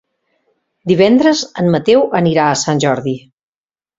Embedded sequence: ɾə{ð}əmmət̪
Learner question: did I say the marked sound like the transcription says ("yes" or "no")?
no